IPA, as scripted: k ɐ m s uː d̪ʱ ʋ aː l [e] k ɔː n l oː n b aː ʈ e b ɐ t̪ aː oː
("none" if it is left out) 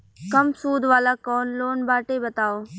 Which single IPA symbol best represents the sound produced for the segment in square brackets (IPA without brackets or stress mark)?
a